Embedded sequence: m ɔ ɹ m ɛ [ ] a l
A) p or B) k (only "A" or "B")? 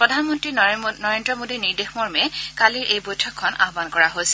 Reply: B